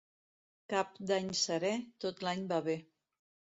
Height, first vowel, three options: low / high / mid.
low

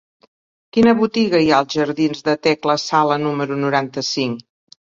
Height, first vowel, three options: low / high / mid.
high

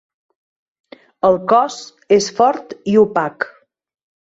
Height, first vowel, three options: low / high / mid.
mid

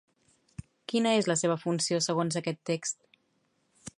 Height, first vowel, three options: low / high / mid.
high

